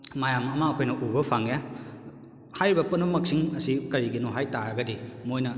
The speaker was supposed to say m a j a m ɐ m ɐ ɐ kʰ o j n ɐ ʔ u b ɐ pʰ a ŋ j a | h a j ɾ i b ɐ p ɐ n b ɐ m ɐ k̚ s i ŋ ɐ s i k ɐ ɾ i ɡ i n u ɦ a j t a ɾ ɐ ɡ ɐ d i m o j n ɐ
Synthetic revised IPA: m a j a m ɐ m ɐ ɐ kʰ o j n ɐ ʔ u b ɐ pʰ a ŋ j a | h a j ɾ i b ɐ p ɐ n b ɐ m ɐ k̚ s i ŋ ɐ s i k ɐ ɾ i ɡ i n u ɦ a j t a ɾ ɐ ɡ ɐ d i m o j n ɐ